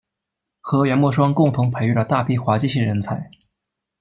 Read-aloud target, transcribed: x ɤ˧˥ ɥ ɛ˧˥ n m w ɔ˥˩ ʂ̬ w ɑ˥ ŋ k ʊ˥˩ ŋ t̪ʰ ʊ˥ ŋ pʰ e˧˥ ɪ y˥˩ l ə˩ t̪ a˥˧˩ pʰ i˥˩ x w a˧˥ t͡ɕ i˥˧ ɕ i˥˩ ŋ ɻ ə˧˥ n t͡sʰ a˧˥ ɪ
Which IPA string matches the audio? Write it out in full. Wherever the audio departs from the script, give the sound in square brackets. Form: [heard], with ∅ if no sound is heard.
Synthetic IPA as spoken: x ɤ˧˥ ɥ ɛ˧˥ n m w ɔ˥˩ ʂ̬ w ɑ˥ ŋ k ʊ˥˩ ŋ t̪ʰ [ʊ˧˥] ŋ pʰ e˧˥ ɪ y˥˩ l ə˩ t̪ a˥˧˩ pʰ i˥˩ x w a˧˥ t͡ɕ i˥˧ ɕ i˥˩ ŋ ɻ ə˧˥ n t͡sʰ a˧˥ ɪ